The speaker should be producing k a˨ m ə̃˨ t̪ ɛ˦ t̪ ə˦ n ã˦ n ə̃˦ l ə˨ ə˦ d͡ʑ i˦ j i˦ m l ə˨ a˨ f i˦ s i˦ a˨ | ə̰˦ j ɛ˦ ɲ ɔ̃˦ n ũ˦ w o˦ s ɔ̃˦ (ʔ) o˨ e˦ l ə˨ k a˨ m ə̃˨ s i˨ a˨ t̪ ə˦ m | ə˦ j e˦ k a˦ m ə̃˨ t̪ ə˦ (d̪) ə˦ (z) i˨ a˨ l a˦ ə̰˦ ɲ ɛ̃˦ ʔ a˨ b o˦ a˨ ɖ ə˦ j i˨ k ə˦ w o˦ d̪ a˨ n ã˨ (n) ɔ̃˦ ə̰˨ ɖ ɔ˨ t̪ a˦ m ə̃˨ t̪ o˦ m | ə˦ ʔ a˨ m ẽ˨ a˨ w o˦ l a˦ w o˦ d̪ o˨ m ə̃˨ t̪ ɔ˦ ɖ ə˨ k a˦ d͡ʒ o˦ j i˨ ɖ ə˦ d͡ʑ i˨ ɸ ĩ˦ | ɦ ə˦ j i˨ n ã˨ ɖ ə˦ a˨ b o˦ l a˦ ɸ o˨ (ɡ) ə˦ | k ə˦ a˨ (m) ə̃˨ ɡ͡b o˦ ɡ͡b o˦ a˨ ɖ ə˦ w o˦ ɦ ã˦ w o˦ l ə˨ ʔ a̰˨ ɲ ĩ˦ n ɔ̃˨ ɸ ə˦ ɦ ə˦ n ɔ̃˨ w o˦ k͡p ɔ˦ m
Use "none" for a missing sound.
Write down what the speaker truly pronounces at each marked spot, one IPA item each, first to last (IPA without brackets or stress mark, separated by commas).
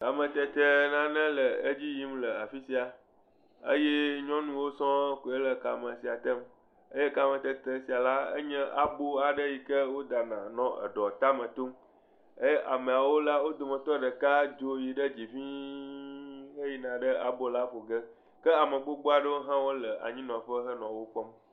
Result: k, t̪, s, n, ɡ, m